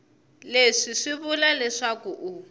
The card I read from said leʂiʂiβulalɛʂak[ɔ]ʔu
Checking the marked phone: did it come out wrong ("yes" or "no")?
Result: yes